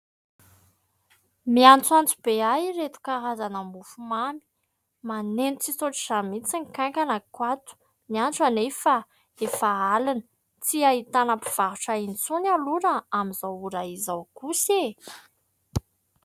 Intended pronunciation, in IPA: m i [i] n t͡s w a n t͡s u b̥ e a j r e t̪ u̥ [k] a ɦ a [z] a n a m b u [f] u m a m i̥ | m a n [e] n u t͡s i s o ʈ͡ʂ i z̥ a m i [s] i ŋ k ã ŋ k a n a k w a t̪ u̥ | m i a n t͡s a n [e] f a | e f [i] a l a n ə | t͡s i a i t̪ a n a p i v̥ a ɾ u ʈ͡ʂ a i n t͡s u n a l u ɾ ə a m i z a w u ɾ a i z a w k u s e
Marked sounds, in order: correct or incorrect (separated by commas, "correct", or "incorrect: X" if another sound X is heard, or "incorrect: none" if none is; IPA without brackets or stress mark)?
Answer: incorrect: a, correct, correct, correct, correct, incorrect: t͡s, correct, incorrect: a